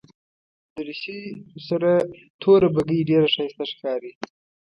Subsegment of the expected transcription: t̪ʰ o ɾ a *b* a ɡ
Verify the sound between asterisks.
correct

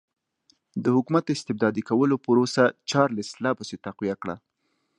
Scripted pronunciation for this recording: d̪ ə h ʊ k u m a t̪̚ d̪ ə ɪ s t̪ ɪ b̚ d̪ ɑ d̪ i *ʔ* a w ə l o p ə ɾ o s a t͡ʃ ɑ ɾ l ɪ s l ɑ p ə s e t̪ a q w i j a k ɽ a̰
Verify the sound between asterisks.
incorrect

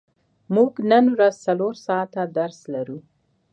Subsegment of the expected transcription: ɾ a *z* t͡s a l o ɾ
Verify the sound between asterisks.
correct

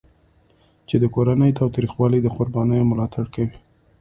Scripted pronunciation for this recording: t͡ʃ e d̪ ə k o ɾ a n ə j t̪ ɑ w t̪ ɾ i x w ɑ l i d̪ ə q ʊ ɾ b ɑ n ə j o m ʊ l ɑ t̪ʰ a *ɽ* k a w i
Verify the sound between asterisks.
correct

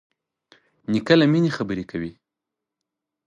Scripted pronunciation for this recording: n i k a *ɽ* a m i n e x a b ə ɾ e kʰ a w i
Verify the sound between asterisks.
incorrect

